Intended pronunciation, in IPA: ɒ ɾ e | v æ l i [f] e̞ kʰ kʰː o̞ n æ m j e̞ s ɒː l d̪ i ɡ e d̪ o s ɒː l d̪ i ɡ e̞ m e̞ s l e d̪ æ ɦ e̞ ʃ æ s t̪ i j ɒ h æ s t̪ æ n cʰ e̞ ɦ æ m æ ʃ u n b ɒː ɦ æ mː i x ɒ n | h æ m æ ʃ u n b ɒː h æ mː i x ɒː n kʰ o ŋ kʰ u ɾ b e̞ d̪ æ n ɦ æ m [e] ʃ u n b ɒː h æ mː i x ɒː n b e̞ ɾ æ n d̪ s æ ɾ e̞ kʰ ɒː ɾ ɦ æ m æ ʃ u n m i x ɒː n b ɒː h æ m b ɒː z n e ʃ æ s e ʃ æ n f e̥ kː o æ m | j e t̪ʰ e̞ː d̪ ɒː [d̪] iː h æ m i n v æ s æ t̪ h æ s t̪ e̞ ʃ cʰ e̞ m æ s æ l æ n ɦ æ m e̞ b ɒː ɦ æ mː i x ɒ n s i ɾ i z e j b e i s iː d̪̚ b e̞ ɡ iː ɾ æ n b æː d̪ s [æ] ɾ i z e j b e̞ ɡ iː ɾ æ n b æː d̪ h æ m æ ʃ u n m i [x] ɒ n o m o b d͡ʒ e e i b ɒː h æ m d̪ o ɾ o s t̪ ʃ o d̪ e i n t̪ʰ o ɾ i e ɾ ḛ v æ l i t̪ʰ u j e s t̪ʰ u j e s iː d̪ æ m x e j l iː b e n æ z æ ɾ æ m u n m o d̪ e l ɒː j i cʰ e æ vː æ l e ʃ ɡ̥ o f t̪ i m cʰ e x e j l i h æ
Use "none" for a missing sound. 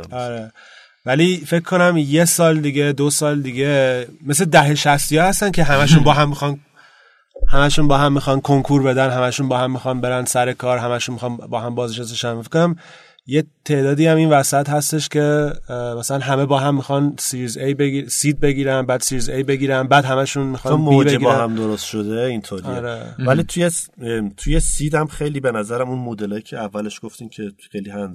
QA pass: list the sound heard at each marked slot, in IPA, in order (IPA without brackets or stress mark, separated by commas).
f, æ, d̪, i, x